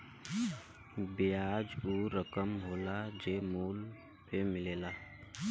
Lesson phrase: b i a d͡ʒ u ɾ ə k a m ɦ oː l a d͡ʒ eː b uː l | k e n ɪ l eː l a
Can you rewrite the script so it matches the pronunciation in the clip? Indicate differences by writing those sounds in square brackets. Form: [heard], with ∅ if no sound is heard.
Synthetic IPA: b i a d͡ʒ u ɾ ə k [ə] m ɦ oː l a d͡ʒ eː [m] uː l | [p] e [m] ɪ l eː l a